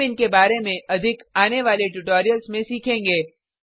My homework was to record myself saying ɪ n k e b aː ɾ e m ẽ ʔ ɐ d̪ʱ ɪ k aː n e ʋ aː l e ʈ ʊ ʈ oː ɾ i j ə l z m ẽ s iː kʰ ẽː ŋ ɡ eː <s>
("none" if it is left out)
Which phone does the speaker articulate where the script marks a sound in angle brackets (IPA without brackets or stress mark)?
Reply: none